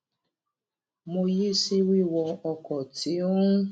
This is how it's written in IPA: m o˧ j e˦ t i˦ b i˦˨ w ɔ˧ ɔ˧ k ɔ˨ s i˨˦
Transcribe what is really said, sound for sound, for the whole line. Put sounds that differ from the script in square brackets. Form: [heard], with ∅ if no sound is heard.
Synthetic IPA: m o˧ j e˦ [s] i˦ [w] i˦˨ w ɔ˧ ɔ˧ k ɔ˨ [t] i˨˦